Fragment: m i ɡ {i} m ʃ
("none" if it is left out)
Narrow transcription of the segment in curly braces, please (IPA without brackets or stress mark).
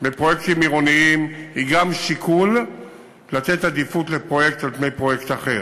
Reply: a